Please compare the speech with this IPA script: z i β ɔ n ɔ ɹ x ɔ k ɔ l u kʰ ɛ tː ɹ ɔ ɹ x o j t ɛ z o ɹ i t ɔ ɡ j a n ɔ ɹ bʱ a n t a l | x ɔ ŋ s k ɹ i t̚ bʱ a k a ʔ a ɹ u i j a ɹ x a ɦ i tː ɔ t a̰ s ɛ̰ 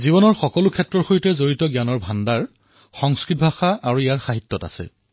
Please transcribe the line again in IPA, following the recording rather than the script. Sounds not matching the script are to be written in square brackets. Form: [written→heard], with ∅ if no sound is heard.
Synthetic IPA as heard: z i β ɔ n ɔ ɹ x ɔ k ɔ l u kʰ ɛ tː ɹ ɔ ɹ x o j t ɛ z o ɹ i t ɔ ɡ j a n ɔ ɹ bʱ a n [t→d] a [l→ɹ] | x ɔ ŋ s k ɹ i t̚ bʱ a [k→x] a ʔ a ɹ u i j a ɹ x a ɦ i tː ɔ t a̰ s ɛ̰